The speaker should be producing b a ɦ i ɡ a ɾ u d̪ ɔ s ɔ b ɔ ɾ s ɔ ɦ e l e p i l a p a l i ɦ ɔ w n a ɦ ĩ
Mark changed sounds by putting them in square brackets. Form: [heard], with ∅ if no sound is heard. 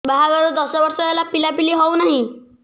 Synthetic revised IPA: b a ɦ [a] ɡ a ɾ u d̪ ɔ s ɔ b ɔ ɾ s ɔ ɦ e l [a] p i l a p [i] l i ɦ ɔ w n a ɦ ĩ